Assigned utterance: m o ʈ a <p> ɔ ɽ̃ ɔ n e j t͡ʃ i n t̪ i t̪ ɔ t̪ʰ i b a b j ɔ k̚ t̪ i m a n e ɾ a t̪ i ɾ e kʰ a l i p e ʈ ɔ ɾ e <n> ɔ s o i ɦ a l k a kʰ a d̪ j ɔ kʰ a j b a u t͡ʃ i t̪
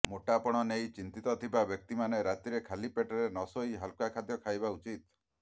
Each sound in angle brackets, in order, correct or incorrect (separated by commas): correct, correct